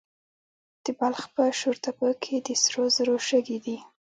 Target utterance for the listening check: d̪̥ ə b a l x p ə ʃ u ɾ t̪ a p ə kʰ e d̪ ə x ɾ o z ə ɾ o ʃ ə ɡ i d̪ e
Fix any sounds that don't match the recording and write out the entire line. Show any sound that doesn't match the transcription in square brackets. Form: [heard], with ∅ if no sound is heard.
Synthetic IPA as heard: d̪̥ ə b a l x p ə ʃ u ɾ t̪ a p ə kʰ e d̪ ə [s] ɾ o z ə ɾ o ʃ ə ɡ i d̪ [i]